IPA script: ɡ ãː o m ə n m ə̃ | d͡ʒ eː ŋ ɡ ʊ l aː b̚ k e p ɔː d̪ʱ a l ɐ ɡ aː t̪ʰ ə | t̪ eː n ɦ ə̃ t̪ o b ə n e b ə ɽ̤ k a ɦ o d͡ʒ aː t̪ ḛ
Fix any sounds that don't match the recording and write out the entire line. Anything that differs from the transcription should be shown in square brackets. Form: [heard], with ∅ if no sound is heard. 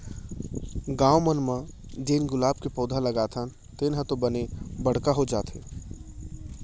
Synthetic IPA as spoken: ɡ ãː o m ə n m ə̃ | d͡ʒ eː [n] ɡ ʊ l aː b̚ k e p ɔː d̪ʱ a l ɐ ɡ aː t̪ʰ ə | t̪ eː n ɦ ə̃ t̪ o b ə n e b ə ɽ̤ k a ɦ o d͡ʒ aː t̪ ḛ